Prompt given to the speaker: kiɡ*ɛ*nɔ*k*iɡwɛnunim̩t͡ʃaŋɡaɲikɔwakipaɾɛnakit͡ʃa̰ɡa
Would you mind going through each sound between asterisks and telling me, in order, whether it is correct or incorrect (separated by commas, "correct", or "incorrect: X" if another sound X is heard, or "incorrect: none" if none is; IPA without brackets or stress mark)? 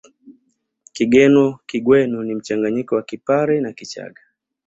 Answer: correct, correct